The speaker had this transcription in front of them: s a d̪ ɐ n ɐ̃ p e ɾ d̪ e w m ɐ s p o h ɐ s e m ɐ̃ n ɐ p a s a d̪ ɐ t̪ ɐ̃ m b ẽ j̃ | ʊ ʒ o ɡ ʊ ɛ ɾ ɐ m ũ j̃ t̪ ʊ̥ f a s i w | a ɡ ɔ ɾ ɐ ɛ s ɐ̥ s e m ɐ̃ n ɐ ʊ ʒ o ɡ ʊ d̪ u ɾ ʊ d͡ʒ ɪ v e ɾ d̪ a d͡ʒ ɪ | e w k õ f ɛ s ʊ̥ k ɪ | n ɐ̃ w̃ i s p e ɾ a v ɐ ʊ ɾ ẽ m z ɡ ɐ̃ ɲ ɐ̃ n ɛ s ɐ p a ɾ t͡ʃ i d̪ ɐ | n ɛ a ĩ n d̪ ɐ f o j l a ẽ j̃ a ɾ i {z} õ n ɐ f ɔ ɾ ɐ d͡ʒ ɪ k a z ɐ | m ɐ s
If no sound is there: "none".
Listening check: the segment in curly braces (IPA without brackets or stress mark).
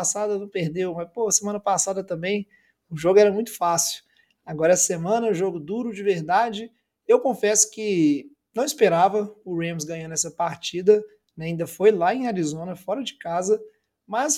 z